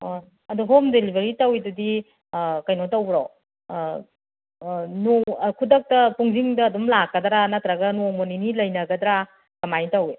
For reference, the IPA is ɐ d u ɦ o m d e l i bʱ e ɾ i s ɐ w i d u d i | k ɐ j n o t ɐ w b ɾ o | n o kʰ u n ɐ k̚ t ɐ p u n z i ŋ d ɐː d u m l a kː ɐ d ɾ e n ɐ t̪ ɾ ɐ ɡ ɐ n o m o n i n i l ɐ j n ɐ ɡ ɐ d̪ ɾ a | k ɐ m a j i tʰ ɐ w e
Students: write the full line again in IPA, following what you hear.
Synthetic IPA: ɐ d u ɦ o m d e l i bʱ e ɾ i t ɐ w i d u d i | k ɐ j n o t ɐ w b ɾ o | n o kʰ u d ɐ k̚ t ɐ p u ŋ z i ŋ d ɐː d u m l a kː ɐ d ɾ a n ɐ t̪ ɾ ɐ ɡ ɐ n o m o n i n i l ɐ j n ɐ ɡ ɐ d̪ ɾ a | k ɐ m a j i t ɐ w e